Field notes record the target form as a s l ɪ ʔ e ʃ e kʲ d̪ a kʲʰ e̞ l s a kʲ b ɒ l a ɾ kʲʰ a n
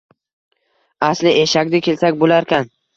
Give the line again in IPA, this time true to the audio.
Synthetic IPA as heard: a s l ɪ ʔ e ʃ a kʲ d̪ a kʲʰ e̞ l s a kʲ b o l a ɾ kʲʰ a n